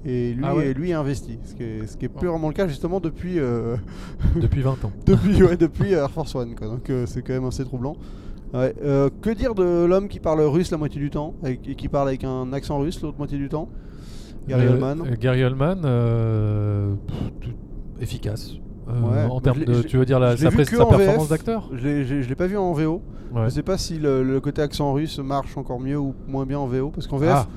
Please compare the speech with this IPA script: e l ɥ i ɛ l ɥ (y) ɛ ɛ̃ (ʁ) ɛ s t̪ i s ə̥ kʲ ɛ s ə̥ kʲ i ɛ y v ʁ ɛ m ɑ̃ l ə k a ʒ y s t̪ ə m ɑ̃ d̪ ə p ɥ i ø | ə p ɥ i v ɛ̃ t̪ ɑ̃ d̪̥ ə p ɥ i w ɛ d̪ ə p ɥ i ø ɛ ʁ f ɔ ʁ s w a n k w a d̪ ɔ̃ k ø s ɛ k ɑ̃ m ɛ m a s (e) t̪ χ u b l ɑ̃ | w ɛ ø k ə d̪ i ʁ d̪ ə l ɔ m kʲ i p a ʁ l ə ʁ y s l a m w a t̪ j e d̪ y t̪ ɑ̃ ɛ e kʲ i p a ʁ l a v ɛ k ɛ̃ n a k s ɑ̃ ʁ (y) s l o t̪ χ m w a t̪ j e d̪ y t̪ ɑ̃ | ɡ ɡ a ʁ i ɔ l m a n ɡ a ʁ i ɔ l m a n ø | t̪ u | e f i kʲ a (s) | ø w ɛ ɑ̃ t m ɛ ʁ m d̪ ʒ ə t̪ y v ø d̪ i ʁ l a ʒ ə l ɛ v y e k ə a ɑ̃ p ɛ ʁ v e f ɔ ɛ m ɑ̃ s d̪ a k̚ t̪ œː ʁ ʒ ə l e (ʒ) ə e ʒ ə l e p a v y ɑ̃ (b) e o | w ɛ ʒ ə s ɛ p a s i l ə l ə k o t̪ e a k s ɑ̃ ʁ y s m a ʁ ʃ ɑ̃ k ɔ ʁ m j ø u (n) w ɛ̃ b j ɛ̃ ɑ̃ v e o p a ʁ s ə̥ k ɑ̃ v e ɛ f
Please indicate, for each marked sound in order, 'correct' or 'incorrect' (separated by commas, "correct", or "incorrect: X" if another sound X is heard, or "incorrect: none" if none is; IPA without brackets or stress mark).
incorrect: i, incorrect: v, correct, correct, correct, correct, incorrect: v, incorrect: m